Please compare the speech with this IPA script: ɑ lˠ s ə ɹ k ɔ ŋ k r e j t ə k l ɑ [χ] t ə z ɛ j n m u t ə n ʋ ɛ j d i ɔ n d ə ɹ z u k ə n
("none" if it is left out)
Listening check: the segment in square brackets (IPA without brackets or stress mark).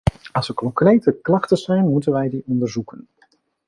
χ